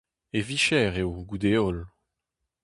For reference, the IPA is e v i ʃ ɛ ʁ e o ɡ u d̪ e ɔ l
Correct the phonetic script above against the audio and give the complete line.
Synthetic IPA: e v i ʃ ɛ ʁ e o ɡ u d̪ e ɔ l